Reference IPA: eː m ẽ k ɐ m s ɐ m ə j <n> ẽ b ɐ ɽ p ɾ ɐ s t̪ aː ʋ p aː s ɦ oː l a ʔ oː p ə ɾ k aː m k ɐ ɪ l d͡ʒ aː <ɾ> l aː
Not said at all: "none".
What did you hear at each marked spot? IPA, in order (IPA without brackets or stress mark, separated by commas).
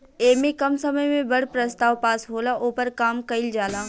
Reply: m, none